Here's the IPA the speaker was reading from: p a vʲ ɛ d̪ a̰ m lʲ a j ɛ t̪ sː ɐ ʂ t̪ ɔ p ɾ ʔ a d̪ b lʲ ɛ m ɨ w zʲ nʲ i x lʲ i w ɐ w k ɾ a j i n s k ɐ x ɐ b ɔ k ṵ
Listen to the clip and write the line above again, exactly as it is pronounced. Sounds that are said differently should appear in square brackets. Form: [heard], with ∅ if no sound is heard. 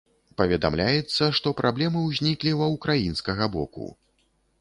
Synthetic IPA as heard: p [ɐ] vʲ ɛ d̪ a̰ m lʲ a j ɛ t̪ sː ɐ ʂ t̪ ɔ p ɾ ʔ a [∅] b lʲ ɛ m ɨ w zʲ nʲ i [k] lʲ i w ɐ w k ɾ a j i n s k ɐ [ɣ] ɐ b ɔ k ṵ